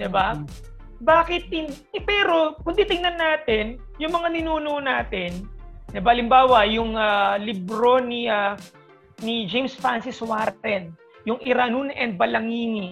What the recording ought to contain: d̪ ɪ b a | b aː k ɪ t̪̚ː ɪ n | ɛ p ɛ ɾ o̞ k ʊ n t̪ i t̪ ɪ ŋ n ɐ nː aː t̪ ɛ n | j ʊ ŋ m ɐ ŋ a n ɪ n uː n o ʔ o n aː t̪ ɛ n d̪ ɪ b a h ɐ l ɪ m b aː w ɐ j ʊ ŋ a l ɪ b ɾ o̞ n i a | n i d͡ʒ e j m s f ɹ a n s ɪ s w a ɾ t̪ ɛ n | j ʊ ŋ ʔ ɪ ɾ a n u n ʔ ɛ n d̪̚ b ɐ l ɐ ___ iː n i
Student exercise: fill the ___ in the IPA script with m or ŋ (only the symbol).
ŋ